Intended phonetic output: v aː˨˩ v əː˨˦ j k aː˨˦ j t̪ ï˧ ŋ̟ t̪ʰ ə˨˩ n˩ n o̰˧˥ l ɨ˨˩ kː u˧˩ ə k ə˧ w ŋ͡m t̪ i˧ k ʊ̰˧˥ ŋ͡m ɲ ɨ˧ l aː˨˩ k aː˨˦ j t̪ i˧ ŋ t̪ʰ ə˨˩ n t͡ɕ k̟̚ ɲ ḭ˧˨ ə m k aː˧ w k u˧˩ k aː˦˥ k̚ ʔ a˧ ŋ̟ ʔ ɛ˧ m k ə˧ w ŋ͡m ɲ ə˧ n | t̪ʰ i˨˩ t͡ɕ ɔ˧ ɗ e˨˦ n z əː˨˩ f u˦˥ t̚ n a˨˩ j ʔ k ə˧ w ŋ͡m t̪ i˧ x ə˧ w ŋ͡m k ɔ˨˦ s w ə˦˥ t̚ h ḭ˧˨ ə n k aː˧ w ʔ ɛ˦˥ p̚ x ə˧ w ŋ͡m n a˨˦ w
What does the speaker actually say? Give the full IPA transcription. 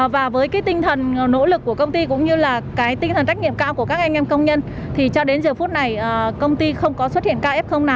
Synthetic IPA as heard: v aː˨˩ v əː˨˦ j k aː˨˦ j t̪ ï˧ ŋ̟ t̪ʰ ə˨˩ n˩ n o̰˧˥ l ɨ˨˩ kː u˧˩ ə k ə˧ w ŋ͡m t̪ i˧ k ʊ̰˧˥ ŋ͡m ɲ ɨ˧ l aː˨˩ k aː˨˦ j t̪ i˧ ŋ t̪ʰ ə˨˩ n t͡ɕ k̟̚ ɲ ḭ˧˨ ə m k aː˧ w k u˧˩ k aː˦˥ k̚ ʔ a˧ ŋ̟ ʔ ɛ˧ m k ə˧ w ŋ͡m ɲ ə˧ n | t̪ʰ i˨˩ t͡ɕ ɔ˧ ɗ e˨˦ n z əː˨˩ f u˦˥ t̚ n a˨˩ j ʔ k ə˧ w ŋ͡m t̪ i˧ x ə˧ w ŋ͡m k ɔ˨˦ s w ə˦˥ t̚ h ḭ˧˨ ə n k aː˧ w ʔ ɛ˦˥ p̚ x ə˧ w ŋ͡m n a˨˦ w